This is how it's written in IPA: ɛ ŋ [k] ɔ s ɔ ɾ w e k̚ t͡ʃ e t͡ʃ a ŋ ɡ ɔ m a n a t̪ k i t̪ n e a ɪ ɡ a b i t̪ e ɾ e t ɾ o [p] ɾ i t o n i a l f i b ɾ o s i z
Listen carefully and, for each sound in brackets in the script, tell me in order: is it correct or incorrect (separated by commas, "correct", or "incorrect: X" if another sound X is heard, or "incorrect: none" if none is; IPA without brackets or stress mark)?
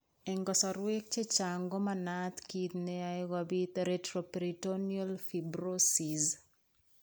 incorrect: ɡ, correct